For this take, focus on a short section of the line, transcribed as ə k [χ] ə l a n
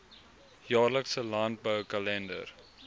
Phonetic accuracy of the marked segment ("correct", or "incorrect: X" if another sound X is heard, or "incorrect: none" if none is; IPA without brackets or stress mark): incorrect: s